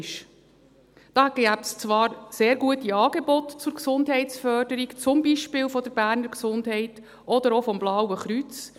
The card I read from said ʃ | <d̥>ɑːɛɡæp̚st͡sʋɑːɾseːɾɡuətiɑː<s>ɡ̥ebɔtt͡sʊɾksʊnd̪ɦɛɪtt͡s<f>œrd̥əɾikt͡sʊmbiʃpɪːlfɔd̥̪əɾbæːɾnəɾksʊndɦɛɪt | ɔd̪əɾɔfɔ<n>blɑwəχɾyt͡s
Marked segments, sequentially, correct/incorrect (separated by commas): correct, incorrect, correct, incorrect